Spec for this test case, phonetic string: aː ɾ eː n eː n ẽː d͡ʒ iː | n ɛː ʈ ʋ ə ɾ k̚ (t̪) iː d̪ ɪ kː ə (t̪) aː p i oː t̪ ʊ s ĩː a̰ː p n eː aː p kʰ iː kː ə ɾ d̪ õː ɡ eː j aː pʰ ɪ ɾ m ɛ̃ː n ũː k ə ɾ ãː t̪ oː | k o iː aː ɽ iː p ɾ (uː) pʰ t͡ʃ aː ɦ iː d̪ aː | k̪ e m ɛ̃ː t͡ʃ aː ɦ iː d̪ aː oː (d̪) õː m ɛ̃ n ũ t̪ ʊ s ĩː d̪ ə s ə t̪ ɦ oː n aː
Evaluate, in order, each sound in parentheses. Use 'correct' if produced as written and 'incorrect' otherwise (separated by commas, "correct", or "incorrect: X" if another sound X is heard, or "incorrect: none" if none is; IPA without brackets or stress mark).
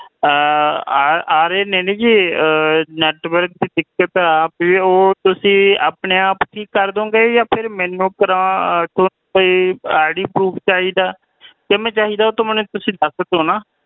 incorrect: d̪, correct, correct, incorrect: t̪